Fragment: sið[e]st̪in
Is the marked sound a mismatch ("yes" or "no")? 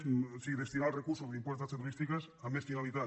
no